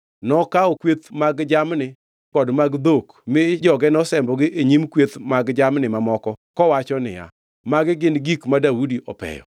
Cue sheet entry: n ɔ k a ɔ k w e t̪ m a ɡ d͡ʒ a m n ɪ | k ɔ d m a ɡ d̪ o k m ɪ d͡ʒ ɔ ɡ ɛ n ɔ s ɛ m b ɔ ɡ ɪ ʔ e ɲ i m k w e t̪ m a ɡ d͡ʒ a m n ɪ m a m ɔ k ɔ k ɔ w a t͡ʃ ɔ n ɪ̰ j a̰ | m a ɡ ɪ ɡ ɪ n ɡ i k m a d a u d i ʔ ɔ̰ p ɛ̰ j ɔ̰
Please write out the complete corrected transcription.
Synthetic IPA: n ɔ k a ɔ k w e t̪ m a ɡ d͡ʒ a m n ɪ | k ɔ d m a ɡ d̪ o k m ɪ d͡ʒ ɔ ɡ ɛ n ɔ s ɛ m b ɔ ɡ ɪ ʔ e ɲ i m k w e t̪ m a ɡ d͡ʒ a m n ɪ m a m ɔ k ɔ k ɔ w a t͡ʃ ɔ n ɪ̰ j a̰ | m a ɡ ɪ ɡ ɪ n ɡ i k m a d a u d i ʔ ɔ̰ p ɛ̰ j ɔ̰